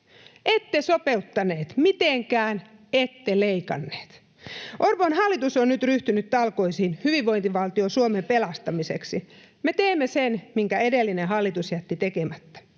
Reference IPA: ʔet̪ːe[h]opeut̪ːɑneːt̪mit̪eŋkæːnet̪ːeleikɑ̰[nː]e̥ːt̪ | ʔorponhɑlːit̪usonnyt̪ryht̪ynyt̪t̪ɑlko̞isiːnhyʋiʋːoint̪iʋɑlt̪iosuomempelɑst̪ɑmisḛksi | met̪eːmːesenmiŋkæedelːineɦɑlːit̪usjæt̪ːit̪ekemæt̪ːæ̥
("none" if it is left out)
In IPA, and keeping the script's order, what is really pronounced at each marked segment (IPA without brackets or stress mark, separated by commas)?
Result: s, nː